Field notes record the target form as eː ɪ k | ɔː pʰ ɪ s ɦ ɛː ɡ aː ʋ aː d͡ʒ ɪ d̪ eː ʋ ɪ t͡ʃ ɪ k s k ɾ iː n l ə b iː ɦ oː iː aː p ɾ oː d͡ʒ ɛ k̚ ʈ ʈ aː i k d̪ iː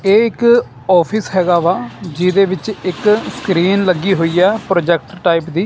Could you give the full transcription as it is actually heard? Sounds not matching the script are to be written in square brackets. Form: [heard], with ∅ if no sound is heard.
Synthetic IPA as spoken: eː ɪ k | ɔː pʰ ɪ s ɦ ɛː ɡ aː ʋ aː d͡ʒ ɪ d̪ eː ʋ ɪ t͡ʃ ɪ k s k ɾ iː n l ə [ɡ] iː ɦ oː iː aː p ɾ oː d͡ʒ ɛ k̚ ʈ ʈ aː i [p] d̪ iː